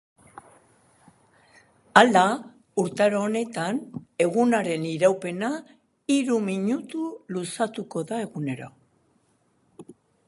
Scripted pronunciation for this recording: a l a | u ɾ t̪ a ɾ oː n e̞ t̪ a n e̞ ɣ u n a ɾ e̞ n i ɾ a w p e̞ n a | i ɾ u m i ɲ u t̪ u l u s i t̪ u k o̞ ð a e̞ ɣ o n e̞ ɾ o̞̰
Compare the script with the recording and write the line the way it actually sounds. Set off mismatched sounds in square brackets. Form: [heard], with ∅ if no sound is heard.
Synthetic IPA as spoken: a l a | u ɾ t̪ a ɾ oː n e̞ t̪ a n e̞ ɣ u n a ɾ e̞ n i ɾ a w p e̞ n a | i ɾ u m i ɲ u t̪ u l u s [a] t̪ u k o̞ ð a e̞ ɣ [u] n e̞ ɾ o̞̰